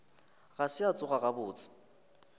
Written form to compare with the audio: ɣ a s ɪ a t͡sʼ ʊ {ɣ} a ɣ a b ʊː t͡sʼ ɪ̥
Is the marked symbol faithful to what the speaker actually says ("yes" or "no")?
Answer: yes